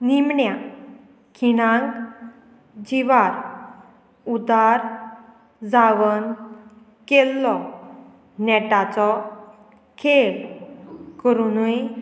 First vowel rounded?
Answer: no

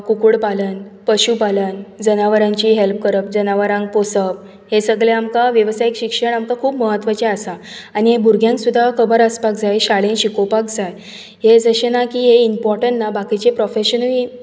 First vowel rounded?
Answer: yes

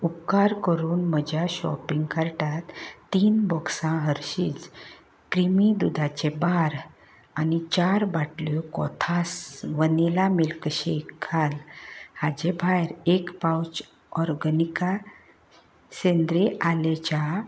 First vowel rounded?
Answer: yes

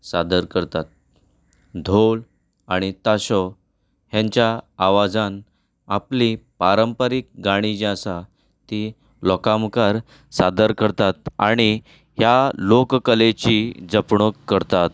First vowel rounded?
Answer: no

